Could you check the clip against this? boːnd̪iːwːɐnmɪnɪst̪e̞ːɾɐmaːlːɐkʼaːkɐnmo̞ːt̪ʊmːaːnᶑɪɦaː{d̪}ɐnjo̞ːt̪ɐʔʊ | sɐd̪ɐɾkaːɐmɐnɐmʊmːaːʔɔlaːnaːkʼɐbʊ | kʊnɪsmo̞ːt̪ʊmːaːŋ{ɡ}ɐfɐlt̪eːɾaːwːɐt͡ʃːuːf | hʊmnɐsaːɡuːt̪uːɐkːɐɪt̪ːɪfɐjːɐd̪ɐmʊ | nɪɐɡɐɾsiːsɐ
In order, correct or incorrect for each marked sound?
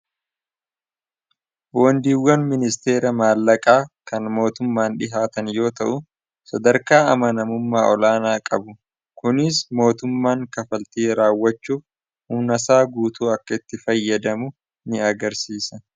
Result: incorrect, incorrect

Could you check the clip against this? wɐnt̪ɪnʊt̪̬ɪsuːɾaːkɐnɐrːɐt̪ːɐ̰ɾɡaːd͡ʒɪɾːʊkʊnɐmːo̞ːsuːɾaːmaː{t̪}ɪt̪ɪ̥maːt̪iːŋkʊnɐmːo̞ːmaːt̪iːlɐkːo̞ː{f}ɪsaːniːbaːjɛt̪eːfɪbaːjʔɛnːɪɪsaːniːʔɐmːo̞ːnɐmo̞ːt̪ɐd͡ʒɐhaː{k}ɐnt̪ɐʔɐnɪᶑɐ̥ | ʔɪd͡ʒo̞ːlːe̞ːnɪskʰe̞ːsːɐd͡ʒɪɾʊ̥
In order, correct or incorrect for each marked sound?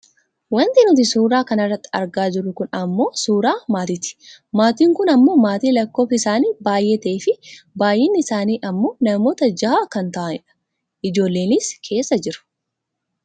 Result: correct, correct, correct

